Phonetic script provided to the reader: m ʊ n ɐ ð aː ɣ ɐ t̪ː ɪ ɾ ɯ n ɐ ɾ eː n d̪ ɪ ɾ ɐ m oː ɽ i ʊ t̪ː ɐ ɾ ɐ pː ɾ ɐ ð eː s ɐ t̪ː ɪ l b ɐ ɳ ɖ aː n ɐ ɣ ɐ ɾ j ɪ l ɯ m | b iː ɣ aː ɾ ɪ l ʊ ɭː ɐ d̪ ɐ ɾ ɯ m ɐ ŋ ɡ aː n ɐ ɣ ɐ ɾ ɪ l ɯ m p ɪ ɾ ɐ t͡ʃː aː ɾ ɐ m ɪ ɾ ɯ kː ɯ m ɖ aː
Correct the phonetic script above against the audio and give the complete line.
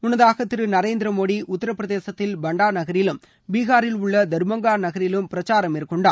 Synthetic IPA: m ʊ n ɐ ð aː ɣ ɐ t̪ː ɪ ɾ ɯ n ɐ ɾ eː n d̪ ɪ ɾ ɐ m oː ɽ i ʊ t̪ː ɐ ɾ ɐ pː ɾ ɐ ð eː s ɐ t̪ː ɪ l b ɐ ɳ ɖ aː n ɐ ɣ ɐ ɾ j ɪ l ɯ m | b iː ɣ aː ɾ ɪ l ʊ ɭː ɐ d̪ ɐ ɾ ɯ m ɐ ŋ ɡ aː n ɐ ɣ ɐ ɾ ɪ l ɯ m p ɪ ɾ ɐ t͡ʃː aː ɾ ɐ m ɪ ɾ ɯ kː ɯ ɳ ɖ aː